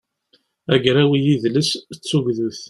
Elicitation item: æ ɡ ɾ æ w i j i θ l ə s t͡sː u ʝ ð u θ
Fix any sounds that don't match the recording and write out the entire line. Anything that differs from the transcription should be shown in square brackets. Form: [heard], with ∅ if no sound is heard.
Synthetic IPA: æ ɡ ɾ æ w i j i [ð] l ə s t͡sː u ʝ ð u θ